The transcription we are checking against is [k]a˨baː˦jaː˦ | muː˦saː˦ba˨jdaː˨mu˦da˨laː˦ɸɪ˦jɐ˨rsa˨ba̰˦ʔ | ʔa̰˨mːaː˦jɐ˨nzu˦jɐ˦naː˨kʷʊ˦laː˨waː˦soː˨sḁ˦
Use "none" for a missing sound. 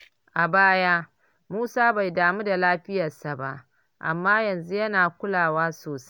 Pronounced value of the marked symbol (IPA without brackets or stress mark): ʔ